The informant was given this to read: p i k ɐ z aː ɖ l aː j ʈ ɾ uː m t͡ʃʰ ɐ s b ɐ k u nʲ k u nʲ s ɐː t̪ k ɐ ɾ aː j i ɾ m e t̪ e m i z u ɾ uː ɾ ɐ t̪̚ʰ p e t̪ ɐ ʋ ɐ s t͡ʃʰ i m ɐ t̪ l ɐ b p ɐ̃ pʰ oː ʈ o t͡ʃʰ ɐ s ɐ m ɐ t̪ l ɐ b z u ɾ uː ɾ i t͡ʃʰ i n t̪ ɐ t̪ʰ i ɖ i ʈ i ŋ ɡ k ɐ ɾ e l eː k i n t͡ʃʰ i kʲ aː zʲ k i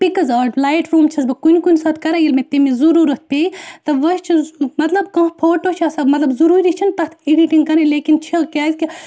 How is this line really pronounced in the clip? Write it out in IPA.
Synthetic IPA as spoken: p i k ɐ z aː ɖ l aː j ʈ ɾ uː m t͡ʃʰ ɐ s b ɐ k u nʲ k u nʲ s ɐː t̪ k ɐ ɾ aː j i l m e t̪ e m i z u ɾ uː ɾ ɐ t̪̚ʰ p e t̪ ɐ ʋ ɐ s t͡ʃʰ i m ɐ t̪ l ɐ b k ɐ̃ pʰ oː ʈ o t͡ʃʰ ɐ s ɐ m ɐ t̪ l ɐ b z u ɾ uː ɾ i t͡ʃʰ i n t̪ ɐ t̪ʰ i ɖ i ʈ i ŋ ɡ k ɐ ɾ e l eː k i n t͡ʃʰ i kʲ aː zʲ k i